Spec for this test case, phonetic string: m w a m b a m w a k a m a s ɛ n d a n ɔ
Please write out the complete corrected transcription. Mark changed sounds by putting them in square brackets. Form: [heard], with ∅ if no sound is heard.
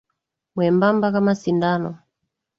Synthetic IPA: m w [ɛ] m b a m [b] a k a m a s [i] n d a n ɔ